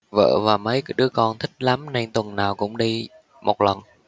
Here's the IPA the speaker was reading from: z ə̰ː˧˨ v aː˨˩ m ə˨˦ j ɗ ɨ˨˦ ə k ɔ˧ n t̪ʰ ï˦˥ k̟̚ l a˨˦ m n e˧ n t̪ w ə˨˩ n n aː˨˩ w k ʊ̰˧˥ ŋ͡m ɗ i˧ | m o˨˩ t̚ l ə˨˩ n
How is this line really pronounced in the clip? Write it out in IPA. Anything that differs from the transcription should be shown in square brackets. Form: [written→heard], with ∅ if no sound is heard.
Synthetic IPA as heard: [z→v] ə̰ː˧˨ v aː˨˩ m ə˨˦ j ɗ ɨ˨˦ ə k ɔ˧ n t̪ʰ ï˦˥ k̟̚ l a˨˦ m n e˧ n t̪ w ə˨˩ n n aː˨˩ w k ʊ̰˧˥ ŋ͡m ɗ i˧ | m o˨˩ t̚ l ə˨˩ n